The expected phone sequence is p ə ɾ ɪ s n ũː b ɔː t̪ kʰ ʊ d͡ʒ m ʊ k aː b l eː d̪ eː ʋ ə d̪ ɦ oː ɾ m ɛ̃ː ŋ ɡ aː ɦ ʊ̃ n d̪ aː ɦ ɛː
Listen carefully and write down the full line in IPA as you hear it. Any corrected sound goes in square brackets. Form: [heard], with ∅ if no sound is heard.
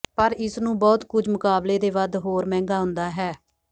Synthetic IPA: p ə ɾ ɪ s n ũː b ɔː t̪ [k] ʊ d͡ʒ m ʊ k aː b l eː d̪ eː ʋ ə d̪ ɦ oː ɾ m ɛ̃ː ŋ ɡ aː ɦ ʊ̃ n d̪ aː ɦ ɛː